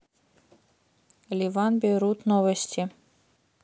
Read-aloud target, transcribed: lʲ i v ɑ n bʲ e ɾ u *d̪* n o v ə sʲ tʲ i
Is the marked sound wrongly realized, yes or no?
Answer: yes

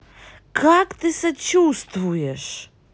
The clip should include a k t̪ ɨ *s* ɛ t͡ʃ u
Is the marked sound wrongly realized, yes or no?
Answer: no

